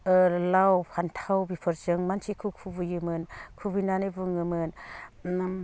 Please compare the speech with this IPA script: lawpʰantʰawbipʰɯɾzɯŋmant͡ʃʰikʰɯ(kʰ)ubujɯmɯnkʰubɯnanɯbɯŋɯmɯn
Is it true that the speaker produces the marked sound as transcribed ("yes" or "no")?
yes